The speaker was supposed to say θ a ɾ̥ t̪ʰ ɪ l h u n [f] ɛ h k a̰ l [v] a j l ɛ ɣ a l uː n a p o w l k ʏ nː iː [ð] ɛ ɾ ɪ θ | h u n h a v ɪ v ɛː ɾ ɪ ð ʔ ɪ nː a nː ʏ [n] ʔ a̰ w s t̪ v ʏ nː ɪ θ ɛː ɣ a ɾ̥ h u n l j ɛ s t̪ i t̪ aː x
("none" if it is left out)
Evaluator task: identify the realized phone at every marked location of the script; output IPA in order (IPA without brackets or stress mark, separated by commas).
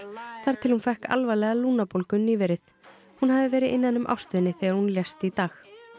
f, v, v, m